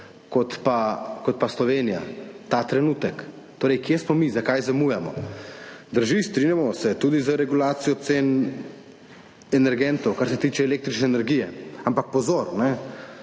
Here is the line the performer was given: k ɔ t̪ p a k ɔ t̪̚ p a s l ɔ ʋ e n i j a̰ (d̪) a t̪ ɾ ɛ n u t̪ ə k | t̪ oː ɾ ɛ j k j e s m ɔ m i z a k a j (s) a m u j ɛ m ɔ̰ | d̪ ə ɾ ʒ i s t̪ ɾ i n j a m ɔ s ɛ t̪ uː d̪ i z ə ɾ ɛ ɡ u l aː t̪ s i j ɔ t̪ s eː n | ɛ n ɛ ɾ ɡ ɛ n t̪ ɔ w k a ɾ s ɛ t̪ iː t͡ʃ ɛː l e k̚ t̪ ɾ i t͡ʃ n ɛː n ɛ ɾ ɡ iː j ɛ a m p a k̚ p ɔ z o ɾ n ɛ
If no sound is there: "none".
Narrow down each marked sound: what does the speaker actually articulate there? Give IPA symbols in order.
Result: t̪, z

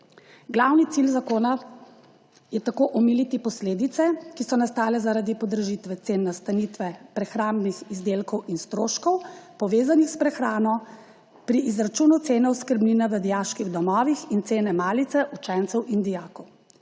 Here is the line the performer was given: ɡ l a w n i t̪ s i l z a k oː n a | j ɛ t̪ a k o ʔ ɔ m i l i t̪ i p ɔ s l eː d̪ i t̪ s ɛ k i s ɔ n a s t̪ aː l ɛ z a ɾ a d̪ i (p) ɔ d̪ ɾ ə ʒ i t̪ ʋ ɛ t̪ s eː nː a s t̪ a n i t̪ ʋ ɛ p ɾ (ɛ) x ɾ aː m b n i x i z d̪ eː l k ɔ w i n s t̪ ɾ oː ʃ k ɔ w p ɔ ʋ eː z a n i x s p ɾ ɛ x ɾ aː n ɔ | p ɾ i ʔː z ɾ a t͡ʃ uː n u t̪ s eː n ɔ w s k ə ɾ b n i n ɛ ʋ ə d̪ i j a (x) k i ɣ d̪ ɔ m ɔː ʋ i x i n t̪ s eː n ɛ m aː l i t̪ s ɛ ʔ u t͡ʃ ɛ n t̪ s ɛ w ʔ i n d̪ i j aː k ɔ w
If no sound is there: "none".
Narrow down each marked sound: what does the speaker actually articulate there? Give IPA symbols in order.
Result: p, ɛ, ʃ

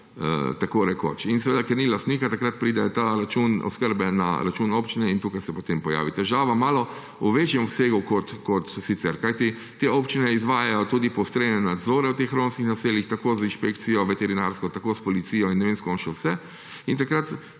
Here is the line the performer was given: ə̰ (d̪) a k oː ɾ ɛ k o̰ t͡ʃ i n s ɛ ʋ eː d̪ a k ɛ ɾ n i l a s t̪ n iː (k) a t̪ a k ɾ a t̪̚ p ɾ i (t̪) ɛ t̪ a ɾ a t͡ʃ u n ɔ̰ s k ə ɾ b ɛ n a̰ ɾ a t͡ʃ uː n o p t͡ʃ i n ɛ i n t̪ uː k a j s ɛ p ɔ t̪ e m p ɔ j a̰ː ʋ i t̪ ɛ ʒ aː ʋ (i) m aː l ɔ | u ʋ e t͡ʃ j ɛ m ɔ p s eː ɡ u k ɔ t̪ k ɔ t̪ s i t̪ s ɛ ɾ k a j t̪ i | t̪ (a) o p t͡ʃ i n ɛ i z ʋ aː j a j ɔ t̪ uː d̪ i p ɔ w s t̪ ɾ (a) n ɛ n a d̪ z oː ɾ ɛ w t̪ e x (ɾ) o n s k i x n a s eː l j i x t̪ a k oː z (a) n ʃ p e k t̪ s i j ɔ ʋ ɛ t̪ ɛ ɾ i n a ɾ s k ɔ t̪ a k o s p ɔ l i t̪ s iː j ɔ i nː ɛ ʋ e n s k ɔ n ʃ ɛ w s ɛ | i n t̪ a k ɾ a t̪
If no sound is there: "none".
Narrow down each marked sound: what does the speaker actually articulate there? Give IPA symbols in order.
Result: t̪, k, d̪, a, e, e, ɾ, i

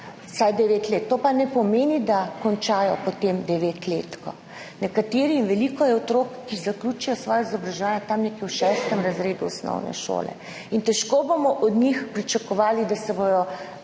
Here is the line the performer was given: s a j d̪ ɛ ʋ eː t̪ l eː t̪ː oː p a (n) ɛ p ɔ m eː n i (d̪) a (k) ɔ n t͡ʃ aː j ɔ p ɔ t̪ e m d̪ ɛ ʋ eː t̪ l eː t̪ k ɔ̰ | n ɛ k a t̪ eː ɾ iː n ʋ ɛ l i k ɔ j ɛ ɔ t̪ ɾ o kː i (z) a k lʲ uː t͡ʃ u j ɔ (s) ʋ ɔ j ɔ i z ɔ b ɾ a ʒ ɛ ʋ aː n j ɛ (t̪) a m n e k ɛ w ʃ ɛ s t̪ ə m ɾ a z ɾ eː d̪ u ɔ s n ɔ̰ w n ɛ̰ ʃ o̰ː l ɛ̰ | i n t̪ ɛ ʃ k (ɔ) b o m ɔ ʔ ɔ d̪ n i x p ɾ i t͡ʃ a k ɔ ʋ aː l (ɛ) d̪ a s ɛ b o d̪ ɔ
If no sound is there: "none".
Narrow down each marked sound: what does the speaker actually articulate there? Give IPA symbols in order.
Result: n, d̪, k, z, s, t̪, o, i

